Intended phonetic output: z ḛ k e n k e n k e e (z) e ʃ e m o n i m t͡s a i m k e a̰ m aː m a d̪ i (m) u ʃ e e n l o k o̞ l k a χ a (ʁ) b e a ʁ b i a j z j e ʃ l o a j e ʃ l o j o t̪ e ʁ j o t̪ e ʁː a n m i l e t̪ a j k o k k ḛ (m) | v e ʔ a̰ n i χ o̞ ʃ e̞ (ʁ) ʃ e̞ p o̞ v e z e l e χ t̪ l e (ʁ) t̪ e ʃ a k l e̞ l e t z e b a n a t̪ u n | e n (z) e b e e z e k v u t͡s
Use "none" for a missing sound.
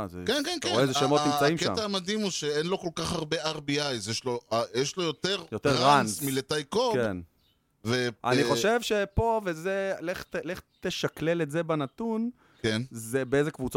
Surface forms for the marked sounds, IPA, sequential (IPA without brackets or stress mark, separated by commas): z, m, ʁ, n, v, χ, z